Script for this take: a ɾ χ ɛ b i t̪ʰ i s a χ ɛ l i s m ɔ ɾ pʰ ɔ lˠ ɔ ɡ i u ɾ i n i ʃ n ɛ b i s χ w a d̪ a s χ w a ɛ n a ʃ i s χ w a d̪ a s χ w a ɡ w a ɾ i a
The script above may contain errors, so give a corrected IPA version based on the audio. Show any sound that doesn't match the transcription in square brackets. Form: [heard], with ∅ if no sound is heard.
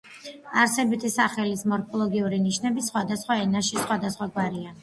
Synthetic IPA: a ɾ [s] ɛ b i t̪ʰ i s a χ ɛ l i s m ɔ ɾ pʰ ɔ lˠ ɔ ɡ i u ɾ i n i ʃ n ɛ b i s χ w a d̪ a s χ w a ɛ n a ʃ i s χ w a d̪ a s χ w a ɡ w a ɾ i a